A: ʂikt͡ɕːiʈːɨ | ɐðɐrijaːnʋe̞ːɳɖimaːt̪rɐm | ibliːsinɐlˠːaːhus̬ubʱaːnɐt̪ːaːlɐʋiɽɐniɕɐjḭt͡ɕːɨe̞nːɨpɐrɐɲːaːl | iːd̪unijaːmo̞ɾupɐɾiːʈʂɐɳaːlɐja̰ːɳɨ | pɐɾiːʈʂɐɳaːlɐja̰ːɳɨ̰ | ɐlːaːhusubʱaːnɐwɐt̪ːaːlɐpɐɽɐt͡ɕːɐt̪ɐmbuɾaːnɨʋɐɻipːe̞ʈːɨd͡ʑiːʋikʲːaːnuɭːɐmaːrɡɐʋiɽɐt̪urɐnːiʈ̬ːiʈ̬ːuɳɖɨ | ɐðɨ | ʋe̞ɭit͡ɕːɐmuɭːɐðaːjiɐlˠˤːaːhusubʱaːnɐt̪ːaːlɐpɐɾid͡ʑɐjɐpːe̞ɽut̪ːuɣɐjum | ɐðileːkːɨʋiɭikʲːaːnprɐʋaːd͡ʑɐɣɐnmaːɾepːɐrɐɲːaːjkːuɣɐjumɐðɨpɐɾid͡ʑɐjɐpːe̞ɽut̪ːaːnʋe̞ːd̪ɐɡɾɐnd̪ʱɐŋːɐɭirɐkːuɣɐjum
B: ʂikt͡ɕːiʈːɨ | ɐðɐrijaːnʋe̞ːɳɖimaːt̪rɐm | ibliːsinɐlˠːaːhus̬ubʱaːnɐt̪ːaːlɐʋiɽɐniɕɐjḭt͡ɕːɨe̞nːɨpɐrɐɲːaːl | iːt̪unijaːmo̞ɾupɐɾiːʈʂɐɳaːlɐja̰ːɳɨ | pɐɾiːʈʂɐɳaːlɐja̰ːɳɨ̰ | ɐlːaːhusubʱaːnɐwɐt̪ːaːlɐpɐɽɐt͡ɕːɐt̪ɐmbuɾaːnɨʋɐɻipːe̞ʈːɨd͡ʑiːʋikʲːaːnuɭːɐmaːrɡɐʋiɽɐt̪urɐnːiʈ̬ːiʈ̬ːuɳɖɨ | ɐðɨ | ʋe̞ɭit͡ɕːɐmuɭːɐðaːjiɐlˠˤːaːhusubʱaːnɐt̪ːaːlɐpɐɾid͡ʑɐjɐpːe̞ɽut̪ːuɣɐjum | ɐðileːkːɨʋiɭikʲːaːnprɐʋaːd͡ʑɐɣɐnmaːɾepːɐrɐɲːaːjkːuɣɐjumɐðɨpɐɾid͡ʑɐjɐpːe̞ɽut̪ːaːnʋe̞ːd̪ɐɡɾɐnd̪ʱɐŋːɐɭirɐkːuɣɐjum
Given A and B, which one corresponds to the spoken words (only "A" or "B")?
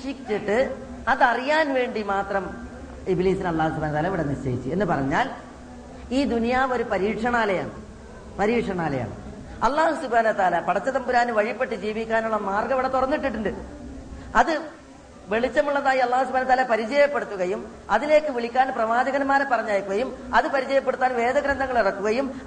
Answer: A